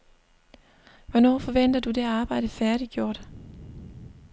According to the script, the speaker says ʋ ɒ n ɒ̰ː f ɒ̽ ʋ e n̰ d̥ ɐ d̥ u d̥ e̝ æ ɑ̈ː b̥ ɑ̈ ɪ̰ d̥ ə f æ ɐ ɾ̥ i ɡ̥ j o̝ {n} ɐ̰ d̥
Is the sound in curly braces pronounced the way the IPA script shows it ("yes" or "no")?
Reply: no